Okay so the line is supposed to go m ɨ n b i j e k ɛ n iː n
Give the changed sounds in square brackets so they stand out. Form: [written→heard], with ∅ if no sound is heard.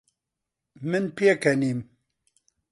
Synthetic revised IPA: m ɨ n [b→p] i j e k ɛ n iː [n→m]